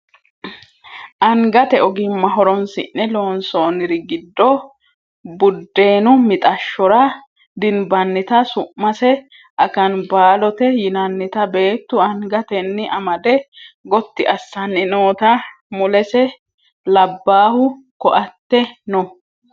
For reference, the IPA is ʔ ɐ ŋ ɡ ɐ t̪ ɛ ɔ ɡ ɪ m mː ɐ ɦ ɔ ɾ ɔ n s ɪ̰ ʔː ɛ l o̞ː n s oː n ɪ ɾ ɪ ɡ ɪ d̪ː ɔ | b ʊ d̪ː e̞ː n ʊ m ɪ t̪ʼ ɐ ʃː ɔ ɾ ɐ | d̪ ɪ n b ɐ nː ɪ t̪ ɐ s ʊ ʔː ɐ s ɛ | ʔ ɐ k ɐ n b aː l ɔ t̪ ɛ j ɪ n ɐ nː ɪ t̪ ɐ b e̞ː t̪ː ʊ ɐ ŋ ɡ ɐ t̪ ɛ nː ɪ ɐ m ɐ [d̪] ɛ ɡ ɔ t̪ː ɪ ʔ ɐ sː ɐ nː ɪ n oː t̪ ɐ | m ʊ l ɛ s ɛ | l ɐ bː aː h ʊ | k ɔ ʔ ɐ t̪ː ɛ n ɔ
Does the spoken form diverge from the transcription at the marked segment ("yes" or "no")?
no